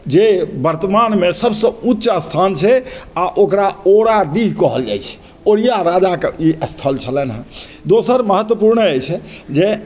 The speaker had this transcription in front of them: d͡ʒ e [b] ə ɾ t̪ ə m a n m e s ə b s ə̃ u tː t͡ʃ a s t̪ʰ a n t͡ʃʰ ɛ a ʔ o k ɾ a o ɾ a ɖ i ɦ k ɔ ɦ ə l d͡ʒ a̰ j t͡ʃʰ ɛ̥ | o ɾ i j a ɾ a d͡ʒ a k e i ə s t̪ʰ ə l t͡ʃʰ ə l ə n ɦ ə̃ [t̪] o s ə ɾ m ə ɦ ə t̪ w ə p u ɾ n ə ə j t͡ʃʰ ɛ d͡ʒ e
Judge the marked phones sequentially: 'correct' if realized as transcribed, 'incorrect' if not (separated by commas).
correct, incorrect